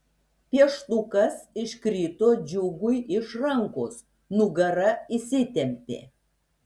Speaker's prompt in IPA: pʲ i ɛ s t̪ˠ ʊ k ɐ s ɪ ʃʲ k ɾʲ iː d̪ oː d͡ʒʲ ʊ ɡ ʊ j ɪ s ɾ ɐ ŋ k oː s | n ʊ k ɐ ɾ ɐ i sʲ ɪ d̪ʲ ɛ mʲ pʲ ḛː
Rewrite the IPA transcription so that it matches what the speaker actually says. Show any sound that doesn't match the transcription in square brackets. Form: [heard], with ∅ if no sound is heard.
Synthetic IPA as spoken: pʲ i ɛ [ʃ] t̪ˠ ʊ k ɐ s ɪ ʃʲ k ɾʲ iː [t̪] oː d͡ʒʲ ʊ ɡ ʊ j ɪ [ʃ] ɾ ɐ ŋ k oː s | n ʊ [ɡ] ɐ ɾ ɐ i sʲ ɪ [t̪ʲ] ɛ mʲ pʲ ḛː